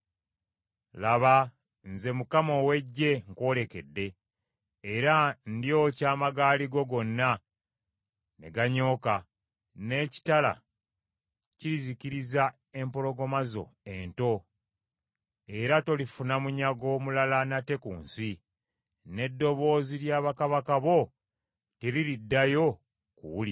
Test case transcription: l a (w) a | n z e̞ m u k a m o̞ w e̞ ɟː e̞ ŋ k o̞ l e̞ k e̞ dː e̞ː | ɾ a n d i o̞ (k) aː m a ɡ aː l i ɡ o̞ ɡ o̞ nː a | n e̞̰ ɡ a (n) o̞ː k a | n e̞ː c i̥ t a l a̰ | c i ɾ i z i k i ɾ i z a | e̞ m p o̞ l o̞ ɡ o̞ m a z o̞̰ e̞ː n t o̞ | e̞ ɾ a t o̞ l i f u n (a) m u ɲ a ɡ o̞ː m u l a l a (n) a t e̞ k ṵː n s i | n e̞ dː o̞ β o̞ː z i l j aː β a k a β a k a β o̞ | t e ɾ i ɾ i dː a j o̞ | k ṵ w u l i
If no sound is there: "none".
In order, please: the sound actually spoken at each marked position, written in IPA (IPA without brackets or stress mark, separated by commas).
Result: β, c, ɲ, a, n